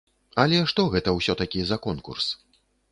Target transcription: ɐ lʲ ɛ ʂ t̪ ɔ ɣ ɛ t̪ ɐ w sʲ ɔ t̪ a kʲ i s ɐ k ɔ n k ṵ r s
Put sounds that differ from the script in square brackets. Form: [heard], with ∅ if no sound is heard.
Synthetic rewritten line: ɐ lʲ ɛ ʂ t̪ ɔ ɣ ɛ t̪ ɐ w sʲ ɔ t̪ a kʲ i [z] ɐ k ɔ n k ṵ r s